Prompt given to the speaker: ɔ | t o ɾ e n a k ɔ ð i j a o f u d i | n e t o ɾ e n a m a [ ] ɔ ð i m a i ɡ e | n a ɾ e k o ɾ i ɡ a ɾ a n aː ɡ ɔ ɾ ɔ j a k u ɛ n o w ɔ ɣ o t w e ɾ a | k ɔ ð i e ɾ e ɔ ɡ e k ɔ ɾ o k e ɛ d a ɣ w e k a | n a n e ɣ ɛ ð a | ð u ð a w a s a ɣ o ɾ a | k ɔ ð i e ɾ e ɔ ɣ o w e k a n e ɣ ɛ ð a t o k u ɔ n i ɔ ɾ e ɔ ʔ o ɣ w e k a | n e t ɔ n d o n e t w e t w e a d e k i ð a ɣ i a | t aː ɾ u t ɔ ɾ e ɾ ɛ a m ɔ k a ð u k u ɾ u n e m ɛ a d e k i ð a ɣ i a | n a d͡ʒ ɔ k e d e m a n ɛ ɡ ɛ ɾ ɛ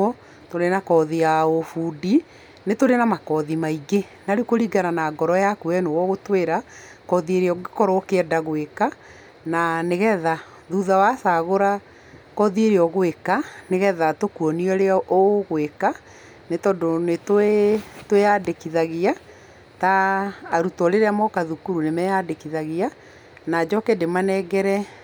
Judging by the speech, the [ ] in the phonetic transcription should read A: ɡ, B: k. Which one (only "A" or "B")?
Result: B